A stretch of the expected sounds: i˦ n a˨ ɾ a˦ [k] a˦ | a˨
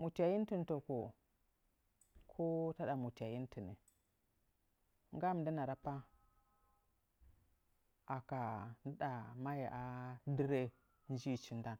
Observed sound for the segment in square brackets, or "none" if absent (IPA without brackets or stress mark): p